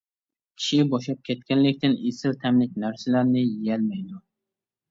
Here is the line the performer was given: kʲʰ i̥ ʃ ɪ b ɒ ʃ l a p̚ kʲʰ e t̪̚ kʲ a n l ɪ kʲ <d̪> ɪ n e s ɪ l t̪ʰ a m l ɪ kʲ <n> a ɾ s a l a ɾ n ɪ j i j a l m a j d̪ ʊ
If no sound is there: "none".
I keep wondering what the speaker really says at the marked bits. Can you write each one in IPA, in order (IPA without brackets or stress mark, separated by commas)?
t̪, n